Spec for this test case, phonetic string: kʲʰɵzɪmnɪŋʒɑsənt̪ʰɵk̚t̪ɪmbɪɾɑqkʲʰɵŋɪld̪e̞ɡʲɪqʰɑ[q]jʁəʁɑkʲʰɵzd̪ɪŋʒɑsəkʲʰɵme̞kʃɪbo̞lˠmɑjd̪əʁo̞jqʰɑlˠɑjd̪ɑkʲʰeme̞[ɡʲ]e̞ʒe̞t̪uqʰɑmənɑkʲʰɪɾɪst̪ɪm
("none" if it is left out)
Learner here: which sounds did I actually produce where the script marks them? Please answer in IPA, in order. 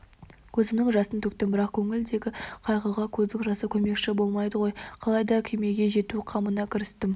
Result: none, ɡʲ

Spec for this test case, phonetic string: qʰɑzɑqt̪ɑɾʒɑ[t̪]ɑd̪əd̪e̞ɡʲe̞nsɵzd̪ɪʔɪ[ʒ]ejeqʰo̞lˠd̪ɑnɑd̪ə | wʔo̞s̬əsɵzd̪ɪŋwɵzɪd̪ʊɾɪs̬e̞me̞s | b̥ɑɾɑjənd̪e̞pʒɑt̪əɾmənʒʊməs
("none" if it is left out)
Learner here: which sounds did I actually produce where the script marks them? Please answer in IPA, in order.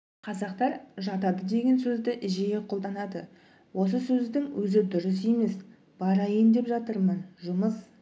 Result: t̪, ʒ

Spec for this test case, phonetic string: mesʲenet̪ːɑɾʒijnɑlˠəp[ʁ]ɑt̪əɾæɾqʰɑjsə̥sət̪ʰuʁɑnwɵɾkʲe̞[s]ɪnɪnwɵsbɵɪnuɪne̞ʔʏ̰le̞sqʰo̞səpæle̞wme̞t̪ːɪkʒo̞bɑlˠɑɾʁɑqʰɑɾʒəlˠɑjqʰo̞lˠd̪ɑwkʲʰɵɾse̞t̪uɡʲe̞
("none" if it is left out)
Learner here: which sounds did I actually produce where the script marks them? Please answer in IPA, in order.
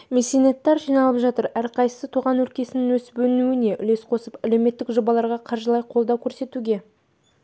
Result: ʒ, s

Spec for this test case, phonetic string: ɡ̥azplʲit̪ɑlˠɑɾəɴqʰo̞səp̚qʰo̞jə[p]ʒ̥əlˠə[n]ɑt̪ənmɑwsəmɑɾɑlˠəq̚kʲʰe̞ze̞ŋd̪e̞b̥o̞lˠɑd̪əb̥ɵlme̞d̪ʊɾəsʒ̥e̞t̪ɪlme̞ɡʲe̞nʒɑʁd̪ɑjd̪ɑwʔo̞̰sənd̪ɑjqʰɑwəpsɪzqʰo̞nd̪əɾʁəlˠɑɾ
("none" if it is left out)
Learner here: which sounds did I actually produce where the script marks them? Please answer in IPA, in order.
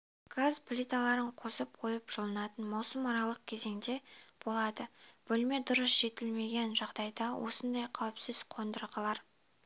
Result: p, n

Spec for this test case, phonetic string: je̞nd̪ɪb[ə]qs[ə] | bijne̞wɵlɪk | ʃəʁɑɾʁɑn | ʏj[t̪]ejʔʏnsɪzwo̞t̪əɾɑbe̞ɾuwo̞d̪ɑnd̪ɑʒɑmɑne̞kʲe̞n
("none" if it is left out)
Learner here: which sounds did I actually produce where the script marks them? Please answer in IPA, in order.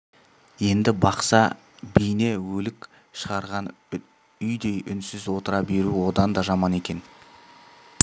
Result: ɑ, ɑ, d̪

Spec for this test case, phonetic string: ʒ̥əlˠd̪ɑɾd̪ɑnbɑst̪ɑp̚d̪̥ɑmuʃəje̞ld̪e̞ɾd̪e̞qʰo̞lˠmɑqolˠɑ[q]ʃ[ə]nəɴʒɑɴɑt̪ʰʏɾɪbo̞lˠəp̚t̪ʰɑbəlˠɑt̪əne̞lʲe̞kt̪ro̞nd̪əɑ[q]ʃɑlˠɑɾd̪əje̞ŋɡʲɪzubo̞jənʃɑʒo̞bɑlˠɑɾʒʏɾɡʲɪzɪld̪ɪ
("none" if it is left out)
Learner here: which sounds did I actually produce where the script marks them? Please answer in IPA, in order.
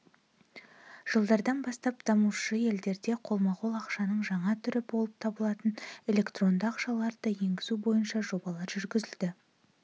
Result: q, ɑ, q

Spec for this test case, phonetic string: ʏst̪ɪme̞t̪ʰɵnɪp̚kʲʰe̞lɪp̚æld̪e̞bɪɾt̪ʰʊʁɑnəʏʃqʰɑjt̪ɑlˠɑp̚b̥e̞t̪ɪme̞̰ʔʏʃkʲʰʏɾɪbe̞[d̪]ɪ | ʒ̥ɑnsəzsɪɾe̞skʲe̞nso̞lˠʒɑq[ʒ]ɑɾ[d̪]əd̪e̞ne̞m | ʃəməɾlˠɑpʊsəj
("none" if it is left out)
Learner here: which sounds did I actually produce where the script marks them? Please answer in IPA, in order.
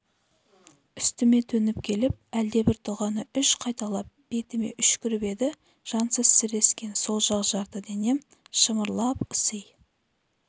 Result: d̪, ʒ, t̪

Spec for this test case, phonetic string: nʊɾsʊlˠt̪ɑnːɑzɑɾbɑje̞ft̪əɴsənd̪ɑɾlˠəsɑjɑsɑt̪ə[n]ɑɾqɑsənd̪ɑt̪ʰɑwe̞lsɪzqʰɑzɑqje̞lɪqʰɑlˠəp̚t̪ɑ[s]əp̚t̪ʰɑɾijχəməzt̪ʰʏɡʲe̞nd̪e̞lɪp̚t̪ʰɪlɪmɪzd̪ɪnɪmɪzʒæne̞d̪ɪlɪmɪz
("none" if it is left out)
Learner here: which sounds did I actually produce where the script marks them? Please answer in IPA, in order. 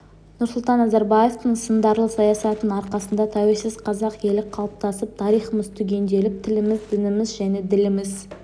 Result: n, s

